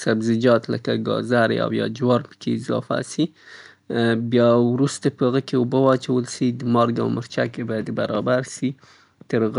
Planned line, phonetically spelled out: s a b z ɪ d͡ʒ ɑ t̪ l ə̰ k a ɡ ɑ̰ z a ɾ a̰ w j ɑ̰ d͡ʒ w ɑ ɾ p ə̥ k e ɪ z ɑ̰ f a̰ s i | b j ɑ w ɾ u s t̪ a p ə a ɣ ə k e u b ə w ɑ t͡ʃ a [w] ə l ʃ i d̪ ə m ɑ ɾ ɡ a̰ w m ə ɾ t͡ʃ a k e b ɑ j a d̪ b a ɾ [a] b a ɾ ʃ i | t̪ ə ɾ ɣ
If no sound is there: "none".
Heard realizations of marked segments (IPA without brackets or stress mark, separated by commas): w, ɑ